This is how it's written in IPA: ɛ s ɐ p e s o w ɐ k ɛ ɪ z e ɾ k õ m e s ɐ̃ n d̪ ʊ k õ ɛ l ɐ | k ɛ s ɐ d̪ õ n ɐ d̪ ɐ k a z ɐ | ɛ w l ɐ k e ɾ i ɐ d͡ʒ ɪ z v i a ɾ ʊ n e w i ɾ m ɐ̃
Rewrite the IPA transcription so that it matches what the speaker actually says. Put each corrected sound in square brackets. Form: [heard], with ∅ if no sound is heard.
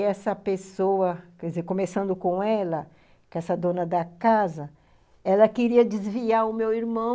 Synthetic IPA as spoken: ɛ s ɐ p e s o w ɐ k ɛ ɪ z e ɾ k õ m e s ɐ̃ n d̪ ʊ k õ ɛ l ɐ | k ɛ s ɐ d̪ õ n ɐ d̪ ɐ k a z ɐ | ɛ [∅] l ɐ k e ɾ i ɐ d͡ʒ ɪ z v i a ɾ ʊ [m] e w i ɾ m ɐ̃